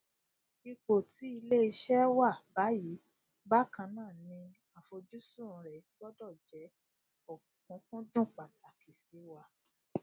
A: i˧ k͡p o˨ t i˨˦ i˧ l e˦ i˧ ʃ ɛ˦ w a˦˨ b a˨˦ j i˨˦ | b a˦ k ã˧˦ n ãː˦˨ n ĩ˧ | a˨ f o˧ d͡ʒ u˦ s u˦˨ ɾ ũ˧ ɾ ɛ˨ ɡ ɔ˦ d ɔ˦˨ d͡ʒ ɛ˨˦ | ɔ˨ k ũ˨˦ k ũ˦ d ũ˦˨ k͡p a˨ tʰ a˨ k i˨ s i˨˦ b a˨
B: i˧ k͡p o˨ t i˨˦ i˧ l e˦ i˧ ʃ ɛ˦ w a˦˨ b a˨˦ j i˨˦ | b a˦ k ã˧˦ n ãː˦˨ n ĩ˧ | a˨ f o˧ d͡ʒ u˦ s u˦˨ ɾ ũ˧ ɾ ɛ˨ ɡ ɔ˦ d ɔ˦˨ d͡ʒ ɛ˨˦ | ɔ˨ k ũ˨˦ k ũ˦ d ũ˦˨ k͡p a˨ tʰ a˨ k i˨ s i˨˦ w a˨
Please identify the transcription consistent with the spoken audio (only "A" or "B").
B